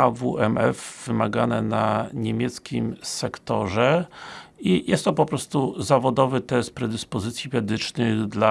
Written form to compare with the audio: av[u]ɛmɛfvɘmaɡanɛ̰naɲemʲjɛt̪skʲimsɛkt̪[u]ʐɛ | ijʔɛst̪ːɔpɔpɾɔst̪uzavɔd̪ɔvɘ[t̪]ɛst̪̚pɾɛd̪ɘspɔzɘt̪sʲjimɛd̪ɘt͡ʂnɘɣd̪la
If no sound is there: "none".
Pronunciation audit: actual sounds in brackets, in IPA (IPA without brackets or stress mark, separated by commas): u, ɔ, t̪